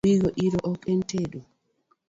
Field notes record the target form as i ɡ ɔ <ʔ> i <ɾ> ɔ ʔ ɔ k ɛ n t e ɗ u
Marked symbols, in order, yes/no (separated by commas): yes, yes